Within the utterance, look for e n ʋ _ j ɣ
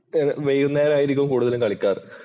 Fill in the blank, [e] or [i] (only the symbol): e